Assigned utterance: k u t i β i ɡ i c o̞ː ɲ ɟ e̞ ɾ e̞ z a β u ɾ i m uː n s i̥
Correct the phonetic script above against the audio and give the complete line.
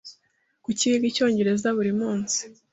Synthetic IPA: k u c i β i ɡ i c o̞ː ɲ ɟ e̞ ɾ e̞ z a β u ɾ i m uː n s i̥